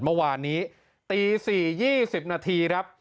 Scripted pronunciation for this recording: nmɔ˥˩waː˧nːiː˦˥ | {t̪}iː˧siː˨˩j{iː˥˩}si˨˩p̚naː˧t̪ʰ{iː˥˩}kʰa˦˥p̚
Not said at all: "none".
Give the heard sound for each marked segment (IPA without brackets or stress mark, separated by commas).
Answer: t̪, iː˥˩, iː˧